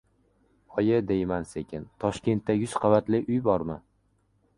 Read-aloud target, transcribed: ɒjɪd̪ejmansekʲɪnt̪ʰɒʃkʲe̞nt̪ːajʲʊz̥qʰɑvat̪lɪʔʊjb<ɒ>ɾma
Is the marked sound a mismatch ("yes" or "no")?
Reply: no